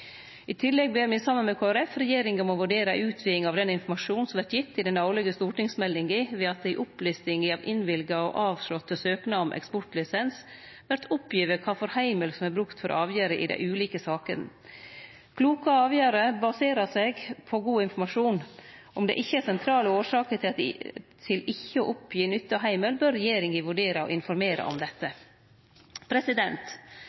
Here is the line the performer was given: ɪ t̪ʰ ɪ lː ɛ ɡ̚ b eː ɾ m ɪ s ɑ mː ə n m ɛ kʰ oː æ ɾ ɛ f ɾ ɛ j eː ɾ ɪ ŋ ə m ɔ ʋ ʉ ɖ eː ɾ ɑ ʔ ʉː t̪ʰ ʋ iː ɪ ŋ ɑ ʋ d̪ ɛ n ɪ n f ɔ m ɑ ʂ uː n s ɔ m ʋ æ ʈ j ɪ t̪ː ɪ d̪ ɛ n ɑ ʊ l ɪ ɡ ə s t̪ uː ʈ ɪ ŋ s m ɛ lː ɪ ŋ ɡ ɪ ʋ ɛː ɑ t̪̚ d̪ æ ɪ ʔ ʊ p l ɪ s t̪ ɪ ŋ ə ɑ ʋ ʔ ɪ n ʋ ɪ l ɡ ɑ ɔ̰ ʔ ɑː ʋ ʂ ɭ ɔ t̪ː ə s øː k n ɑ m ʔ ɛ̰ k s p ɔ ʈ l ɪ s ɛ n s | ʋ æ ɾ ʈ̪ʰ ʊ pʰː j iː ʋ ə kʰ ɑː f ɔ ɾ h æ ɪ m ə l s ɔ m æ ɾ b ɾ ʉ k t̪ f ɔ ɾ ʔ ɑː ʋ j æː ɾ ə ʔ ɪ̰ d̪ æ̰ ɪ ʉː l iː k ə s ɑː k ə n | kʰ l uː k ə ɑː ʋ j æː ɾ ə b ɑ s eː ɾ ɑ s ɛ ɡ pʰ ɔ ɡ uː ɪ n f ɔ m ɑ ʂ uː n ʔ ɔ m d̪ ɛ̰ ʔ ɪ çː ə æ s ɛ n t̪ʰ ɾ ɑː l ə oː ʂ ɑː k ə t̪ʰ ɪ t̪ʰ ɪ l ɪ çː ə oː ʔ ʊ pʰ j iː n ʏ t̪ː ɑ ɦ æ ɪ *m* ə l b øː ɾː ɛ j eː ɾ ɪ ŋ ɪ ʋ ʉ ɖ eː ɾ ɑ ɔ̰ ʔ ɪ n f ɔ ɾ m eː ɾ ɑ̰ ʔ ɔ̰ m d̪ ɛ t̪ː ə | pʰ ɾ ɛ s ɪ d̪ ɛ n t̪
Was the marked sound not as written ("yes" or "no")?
no